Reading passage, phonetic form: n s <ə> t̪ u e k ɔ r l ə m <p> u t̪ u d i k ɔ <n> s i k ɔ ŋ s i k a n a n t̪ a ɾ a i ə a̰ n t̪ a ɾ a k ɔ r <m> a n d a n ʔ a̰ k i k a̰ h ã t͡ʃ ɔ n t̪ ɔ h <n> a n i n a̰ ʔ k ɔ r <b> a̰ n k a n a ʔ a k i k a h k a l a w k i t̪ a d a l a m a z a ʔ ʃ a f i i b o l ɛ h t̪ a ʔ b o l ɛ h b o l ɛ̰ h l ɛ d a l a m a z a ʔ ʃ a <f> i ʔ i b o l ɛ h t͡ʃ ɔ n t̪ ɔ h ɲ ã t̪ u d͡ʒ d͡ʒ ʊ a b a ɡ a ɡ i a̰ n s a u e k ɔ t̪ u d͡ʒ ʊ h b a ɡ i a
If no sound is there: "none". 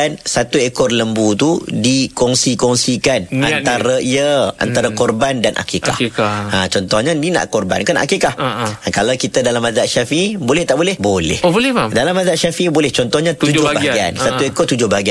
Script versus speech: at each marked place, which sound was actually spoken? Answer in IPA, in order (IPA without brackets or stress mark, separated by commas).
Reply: a, b, ŋ, b, ɲ, b, f